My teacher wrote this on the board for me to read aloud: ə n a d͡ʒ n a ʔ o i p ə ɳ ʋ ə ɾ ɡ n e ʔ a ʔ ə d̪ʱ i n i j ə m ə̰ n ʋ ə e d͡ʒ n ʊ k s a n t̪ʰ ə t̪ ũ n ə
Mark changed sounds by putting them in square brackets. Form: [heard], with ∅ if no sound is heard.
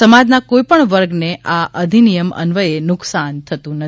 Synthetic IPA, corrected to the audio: ə [m] a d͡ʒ n a [k] o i p ə ɳ ʋ ə ɾ ɡ n e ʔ a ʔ ə d̪ʱ i n i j ə m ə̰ n ʋ ə e [∅] n ʊ k s a n t̪ʰ ə t̪ ũ n ə